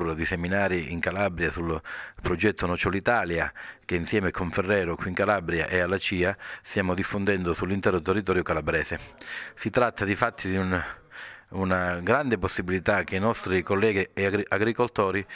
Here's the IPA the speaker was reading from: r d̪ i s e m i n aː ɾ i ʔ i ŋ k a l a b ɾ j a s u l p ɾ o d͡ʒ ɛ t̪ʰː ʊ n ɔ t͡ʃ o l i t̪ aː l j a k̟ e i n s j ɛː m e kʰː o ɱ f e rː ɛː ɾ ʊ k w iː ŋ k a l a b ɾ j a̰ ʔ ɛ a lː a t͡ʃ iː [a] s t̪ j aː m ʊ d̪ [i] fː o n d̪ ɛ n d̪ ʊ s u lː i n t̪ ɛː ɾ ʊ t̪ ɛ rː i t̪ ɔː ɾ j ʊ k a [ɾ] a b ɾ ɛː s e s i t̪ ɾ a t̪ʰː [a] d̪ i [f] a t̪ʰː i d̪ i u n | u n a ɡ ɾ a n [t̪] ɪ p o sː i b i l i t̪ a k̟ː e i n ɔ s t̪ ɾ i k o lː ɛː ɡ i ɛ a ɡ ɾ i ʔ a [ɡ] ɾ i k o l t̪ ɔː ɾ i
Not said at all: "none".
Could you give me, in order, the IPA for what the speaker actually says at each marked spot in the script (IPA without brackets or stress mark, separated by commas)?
a, i, l, a, f, d̪, ɡ